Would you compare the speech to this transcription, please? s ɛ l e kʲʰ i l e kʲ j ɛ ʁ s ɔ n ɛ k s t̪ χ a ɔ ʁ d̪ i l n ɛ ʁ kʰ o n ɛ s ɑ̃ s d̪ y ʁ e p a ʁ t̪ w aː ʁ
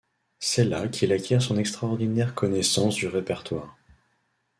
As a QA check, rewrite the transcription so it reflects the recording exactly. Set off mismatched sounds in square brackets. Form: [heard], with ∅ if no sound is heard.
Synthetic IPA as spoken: s ɛ l [a] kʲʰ i l [a] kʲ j ɛ ʁ s [ɔ̃] n ɛ k s t̪ χ a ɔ ʁ d̪ i [∅] n ɛ ʁ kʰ [ɔ] n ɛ s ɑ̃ s d̪ y ʁ e p [ɛ] ʁ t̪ w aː ʁ